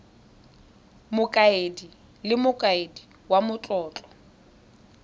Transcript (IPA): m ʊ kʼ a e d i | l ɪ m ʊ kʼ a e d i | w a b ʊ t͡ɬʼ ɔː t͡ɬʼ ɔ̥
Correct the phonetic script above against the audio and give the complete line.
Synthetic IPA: m ʊ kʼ a e d i | l ɪ m ʊ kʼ a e d i | w a m ʊ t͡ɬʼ ɔː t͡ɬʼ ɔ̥